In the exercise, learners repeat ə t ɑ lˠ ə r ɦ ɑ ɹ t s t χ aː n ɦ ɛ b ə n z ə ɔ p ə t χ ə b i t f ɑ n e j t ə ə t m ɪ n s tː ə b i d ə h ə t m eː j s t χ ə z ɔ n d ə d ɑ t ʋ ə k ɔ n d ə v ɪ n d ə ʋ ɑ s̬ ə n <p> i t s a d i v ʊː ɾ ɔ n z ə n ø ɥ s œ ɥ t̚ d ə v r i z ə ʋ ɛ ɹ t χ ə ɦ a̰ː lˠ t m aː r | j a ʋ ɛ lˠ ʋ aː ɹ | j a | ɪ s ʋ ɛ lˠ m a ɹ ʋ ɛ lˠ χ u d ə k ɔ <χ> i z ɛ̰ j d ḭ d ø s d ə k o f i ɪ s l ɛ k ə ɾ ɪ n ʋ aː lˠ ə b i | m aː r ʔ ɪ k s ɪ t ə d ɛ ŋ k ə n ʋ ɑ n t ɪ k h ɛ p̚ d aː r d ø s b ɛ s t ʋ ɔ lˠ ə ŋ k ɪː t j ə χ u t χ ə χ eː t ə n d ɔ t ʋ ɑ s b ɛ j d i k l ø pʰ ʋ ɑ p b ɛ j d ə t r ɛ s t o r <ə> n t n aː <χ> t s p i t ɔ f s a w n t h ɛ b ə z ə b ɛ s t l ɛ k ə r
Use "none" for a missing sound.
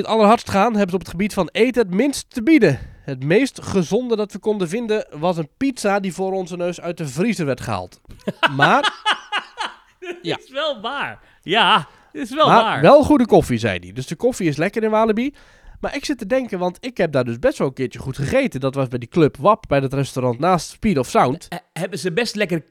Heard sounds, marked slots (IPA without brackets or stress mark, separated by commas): p, f, ɑ, s